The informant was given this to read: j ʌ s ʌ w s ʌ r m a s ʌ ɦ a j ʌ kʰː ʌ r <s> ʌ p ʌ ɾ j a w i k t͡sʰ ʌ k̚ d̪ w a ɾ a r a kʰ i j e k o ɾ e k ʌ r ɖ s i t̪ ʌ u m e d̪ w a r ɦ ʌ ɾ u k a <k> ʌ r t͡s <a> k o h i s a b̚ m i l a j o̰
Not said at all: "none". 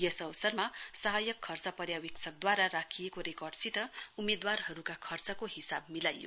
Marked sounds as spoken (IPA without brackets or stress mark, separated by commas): t͡s, kʰ, ʌ